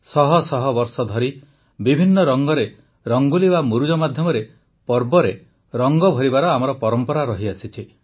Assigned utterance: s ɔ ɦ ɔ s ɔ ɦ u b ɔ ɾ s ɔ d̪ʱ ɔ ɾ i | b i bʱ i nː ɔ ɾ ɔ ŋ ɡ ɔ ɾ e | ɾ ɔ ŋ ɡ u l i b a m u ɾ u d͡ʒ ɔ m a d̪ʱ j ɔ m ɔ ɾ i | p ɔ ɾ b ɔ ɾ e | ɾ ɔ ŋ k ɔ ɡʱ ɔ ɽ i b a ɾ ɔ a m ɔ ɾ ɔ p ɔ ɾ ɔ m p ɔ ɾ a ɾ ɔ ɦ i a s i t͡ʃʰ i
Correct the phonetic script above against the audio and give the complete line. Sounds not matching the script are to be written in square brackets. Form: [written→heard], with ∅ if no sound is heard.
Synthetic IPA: s ɔ ɦ ɔ s ɔ ɦ [u→ɔ] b ɔ ɾ s ɔ d̪ʱ ɔ ɾ i | b i bʱ i nː ɔ ɾ ɔ ŋ ɡ ɔ ɾ e | ɾ ɔ ŋ ɡ u l i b a m u ɾ u d͡ʒ ɔ m a d̪ʱ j ɔ m ɔ ɾ [i→e] | p ɔ ɾ b ɔ ɾ e | ɾ ɔ ŋ [k→ɡ] ɔ [ɡʱ→bʱ] ɔ [ɽ→ɾ] i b a ɾ ɔ a m ɔ ɾ ɔ p ɔ ɾ ɔ m p ɔ ɾ a ɾ ɔ ɦ i a s i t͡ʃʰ i